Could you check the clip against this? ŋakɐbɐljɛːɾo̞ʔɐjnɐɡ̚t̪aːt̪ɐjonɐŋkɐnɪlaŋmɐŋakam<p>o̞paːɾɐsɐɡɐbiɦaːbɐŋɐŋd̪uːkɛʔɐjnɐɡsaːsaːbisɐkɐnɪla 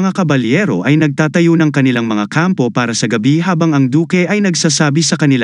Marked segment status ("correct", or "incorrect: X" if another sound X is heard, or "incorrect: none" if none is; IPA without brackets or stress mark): correct